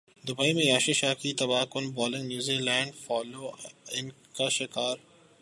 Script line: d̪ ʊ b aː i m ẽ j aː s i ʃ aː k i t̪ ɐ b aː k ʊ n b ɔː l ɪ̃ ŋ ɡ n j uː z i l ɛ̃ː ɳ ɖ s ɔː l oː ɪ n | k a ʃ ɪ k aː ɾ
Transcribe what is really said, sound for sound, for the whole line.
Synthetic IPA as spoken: d̪ ʊ b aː i m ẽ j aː ʃ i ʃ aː k i t̪ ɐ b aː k ʊ n b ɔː l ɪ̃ ŋ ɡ n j uː z i l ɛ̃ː ɳ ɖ f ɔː l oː ɪ n | k a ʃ ɪ k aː ɾ